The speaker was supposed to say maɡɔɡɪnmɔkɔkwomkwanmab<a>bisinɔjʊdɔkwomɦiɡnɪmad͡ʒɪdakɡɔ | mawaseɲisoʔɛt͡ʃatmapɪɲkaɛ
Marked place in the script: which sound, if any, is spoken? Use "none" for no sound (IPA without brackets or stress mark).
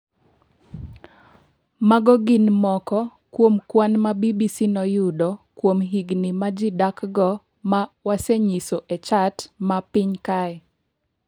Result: i